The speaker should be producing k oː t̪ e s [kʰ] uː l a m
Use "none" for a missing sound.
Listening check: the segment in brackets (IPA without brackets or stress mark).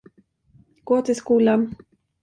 k